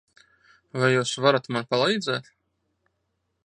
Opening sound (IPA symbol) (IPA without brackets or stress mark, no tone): v